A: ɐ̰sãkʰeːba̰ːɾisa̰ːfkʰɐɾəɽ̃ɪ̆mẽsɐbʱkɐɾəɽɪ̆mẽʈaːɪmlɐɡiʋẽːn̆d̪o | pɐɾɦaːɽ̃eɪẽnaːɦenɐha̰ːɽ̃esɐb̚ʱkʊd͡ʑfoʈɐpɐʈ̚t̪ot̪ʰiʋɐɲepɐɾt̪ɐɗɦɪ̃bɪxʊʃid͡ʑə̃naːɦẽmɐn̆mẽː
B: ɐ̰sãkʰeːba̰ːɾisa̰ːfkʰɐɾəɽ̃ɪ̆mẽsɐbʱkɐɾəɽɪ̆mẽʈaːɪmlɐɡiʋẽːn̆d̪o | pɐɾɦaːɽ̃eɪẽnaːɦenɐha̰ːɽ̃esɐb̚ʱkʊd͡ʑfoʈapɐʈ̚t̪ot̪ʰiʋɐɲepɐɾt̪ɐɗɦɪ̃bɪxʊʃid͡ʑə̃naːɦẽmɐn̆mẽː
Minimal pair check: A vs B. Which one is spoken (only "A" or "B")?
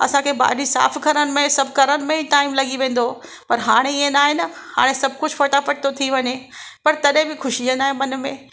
B